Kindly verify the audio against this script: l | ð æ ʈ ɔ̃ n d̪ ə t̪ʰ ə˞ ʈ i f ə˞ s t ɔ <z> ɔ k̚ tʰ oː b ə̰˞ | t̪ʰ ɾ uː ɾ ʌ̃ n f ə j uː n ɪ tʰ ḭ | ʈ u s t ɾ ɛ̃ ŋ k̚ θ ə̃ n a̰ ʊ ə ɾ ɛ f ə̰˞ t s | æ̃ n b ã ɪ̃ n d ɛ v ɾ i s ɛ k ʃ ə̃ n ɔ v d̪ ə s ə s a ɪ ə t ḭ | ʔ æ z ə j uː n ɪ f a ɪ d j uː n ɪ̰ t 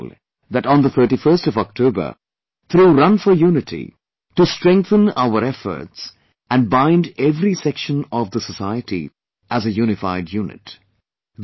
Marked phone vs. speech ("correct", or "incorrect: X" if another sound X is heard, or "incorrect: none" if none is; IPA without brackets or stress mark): incorrect: v